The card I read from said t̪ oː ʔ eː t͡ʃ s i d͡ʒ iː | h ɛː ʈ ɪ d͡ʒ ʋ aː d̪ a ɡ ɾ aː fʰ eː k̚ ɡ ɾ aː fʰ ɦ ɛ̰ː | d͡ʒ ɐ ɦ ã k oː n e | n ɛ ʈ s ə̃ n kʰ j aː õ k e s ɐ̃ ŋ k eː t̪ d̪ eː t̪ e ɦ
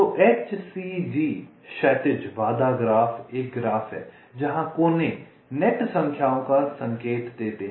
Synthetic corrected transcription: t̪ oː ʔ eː t͡ʃ s i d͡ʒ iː | ʃ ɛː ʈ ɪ d͡ʒ ʋ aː d̪ a ɡ ɾ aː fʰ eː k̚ ɡ ɾ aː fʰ ɦ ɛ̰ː | d͡ʒ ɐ ɦ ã k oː n e | n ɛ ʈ s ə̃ ŋ kʰ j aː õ k a s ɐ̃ ŋ k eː t̪ d̪ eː t̪ e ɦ